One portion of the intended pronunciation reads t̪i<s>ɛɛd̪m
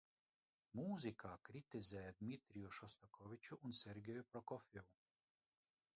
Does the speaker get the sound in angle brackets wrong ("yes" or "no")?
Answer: yes